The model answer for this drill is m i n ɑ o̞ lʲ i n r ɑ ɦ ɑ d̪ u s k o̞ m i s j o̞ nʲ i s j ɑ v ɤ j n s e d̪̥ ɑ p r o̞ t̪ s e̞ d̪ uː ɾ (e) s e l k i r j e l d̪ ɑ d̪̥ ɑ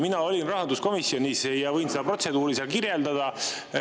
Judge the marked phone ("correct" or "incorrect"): incorrect